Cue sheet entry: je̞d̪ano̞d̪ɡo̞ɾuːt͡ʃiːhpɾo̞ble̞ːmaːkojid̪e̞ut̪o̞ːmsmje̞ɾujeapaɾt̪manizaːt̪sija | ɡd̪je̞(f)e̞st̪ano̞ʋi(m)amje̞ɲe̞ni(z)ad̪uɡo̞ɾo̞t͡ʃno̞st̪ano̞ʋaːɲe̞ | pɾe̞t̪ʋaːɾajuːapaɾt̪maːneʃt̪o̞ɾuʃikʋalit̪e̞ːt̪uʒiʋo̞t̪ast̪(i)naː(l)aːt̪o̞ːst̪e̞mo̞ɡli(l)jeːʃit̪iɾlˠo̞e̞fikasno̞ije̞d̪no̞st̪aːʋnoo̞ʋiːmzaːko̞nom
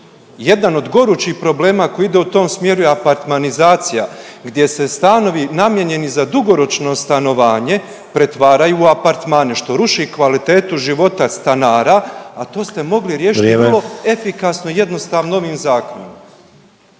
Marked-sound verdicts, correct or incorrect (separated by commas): incorrect, incorrect, correct, incorrect, incorrect, incorrect